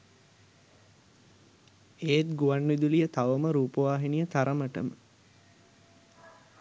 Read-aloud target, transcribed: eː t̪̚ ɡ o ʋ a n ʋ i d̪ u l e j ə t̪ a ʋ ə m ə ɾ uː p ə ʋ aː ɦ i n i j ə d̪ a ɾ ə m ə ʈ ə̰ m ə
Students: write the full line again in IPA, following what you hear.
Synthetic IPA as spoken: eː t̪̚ ɡ u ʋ a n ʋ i d̪ u l i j ə t̪ a ʋ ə m ə ɾ uː p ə ʋ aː ɦ i n i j ə t̪ a ɾ ə m ə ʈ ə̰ m ə